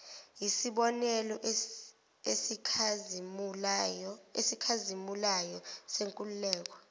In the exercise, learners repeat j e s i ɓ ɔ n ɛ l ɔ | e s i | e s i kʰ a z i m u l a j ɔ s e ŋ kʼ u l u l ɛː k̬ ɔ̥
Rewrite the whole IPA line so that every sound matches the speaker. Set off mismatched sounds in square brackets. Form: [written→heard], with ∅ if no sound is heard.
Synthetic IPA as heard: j [e→i] s i ɓ ɔ n ɛ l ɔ | e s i | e s i kʰ a z i m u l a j ɔ s e ŋ kʼ u l u l ɛː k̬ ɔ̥